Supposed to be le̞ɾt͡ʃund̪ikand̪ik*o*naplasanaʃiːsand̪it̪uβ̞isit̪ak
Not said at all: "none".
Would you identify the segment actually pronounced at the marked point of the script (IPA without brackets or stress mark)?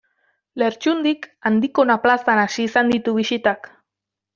o